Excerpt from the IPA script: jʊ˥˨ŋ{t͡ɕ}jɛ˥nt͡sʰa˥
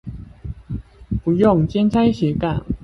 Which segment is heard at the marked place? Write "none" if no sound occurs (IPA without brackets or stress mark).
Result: t͡ɕ